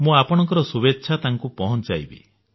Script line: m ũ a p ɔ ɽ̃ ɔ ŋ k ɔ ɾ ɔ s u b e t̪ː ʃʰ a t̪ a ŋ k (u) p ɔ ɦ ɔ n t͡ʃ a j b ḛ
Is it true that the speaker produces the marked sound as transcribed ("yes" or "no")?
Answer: yes